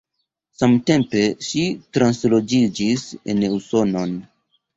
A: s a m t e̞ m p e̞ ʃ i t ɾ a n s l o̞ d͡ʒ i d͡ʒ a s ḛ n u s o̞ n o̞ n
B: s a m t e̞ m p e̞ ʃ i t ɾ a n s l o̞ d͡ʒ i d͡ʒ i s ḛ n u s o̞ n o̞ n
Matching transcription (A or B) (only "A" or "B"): B